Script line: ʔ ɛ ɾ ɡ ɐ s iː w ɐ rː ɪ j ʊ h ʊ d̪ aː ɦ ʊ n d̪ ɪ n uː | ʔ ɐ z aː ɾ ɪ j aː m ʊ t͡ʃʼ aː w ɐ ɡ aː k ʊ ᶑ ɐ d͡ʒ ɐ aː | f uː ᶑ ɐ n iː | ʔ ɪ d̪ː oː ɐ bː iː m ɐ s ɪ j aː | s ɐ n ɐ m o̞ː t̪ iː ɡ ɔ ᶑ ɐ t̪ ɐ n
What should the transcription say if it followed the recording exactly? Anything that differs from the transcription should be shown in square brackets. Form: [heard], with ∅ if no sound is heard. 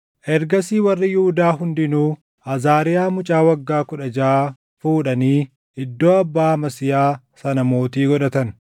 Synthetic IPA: ʔ ɛ ɾ ɡ ɐ s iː w ɐ rː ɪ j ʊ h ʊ d̪ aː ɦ ʊ n d̪ ɪ n uː | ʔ ɐ z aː ɾ ɪ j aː m ʊ t͡ʃʼ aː w ɐ [ɡː] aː k ʊ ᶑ ɐ d͡ʒ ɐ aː | f uː ᶑ ɐ n iː | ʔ ɪ d̪ː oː ɐ bː [aː] m ɐ s ɪ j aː | s ɐ n ɐ m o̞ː t̪ iː ɡ ɔ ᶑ ɐ t̪ ɐ n